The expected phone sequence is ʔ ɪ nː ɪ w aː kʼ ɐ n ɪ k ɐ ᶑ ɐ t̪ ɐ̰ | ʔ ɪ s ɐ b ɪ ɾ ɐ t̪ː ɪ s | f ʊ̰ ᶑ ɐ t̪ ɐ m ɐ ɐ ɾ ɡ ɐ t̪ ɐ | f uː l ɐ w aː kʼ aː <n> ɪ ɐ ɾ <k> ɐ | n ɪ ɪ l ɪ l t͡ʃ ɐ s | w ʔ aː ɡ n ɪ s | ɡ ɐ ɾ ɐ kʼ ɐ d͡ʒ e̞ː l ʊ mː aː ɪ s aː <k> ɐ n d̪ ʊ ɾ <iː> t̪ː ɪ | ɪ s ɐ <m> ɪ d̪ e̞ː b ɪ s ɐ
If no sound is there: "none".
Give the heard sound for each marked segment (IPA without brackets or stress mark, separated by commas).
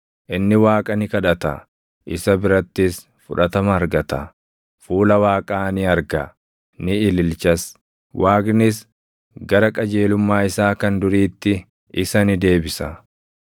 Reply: n, ɡ, k, iː, n